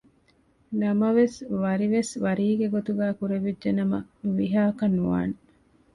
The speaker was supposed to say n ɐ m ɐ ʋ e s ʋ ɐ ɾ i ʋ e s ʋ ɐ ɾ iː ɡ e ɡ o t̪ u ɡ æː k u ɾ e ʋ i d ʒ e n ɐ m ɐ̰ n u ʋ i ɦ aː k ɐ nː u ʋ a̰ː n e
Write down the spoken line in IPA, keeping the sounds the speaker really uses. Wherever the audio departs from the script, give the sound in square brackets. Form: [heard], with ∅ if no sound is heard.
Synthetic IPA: n ɐ m ɐ ʋ e s ʋ ɐ ɾ i ʋ e s ʋ ɐ ɾ iː ɡ e ɡ o t̪ u ɡ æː k u ɾ e ʋ i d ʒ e n ɐ m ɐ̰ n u ʋ i ɦ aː k ɐ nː u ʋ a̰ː n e